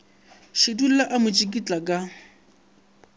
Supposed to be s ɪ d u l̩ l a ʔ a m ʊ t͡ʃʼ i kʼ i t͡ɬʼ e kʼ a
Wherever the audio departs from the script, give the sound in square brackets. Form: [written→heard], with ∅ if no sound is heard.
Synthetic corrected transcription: [s→ʃ] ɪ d u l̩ l a ʔ a m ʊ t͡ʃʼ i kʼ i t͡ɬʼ [e→a] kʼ a